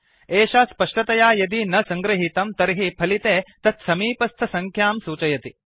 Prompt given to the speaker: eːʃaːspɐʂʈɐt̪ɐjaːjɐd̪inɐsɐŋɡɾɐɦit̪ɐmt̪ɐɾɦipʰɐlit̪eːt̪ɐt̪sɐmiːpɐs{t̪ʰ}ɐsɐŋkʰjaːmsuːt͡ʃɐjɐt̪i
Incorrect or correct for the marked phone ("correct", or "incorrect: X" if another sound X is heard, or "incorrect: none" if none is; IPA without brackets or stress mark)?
correct